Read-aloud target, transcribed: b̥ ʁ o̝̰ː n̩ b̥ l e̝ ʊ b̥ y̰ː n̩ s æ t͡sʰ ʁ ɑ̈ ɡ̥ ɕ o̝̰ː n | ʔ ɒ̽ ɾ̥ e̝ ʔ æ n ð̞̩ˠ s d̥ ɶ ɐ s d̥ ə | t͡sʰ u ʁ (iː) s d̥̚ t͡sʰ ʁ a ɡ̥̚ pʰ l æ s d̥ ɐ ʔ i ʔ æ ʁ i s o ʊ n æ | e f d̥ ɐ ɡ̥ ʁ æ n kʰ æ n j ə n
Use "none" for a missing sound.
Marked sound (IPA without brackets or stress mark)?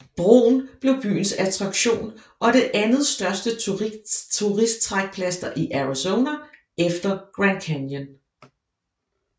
i